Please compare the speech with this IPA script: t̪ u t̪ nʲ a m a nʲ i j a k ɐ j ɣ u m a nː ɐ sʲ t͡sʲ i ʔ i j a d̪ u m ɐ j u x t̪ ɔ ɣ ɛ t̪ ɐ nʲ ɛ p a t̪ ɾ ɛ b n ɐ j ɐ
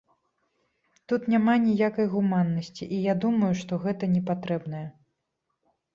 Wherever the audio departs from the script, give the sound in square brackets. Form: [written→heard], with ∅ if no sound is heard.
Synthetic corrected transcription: t̪ u t̪ nʲ a m a nʲ i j a k ɐ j ɣ u m a nː ɐ sʲ t͡sʲ i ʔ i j a d̪ u m ɐ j u [x→ʂ] t̪ ɔ ɣ ɛ t̪ ɐ nʲ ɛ p a t̪ ɾ ɛ b n ɐ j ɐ